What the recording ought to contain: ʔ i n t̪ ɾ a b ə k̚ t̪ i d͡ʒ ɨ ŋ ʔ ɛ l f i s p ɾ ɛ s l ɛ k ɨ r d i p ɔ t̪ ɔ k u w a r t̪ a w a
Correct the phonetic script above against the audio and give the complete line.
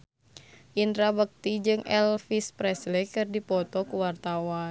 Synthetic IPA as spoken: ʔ i n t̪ ɾ a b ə k̚ t̪ i d͡ʒ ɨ ŋ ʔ ɛ l f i s p ɾ ɛ s l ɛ k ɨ r d i p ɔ t̪ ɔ k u w a r t̪ a w a